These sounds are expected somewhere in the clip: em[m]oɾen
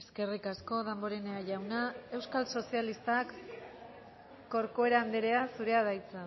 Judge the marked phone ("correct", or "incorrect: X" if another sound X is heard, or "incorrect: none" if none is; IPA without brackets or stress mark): incorrect: b